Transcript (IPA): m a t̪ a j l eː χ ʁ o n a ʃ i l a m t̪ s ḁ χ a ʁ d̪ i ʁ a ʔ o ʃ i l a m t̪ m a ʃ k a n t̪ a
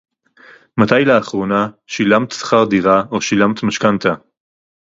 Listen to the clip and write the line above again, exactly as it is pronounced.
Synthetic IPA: m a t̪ a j l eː χ ʁ o n a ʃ i l a m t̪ s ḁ χ a ʁ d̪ i ʁ a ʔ o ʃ i l a m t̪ m a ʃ k a n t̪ a